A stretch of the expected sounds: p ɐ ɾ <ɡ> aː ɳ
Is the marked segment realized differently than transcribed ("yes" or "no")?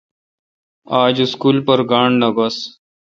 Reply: no